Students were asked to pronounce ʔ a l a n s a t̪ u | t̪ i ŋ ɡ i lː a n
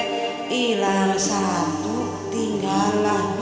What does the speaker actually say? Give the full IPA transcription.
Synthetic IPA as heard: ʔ i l a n s a t̪ u | t̪ i ŋ ɡ a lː a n